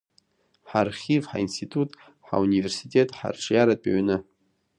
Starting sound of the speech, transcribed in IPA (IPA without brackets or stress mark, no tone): ħ